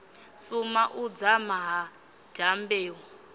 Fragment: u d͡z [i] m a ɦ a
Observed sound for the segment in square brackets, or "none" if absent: a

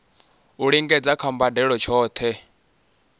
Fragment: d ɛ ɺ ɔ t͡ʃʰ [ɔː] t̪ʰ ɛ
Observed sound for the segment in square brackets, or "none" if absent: ɔː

